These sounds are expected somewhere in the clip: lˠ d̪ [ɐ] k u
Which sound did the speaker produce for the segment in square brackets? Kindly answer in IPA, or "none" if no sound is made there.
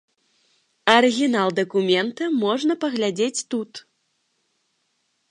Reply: ɐ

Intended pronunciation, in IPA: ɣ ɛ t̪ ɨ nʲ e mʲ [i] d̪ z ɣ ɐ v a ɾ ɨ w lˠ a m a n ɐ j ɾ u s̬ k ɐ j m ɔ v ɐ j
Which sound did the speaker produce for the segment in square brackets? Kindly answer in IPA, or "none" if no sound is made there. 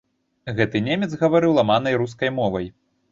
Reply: ɛ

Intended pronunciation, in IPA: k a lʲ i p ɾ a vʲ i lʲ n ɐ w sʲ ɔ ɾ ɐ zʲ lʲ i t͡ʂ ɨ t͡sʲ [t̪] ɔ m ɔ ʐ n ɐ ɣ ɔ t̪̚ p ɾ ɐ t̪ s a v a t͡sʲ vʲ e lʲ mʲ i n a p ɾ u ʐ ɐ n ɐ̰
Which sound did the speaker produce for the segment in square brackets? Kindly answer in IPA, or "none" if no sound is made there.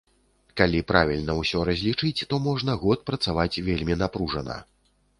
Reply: t̪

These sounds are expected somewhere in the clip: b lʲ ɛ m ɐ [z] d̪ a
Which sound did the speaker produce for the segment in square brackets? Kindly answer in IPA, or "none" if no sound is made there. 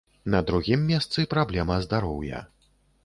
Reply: z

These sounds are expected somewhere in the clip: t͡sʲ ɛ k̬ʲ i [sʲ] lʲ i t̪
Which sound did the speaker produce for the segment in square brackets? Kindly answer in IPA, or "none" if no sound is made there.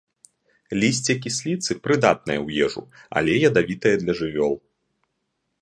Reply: sʲ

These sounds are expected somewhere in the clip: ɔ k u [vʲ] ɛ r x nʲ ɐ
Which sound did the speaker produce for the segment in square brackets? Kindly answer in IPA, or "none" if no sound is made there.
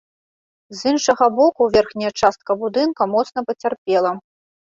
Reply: vʲ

